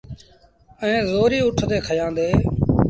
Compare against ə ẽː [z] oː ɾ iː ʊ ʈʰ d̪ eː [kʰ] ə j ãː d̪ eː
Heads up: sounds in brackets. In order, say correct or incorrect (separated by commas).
correct, correct